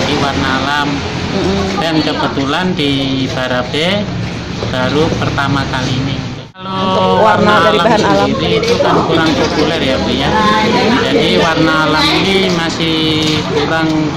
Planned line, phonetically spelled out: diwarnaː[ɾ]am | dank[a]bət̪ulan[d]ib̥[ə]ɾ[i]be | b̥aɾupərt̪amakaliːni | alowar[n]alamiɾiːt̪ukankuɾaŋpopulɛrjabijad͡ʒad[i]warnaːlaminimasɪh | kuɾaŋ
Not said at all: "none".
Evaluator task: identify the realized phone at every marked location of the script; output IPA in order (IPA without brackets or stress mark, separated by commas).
l, ə, d, a, a, n, i